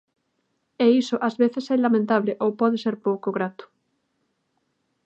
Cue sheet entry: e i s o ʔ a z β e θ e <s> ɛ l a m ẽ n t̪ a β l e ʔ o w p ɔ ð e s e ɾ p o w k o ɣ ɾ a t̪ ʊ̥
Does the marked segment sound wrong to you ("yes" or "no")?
no